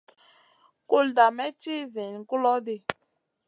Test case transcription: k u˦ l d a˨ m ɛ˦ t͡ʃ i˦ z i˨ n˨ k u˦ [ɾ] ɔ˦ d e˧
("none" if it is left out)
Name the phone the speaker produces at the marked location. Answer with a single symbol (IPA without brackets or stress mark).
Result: l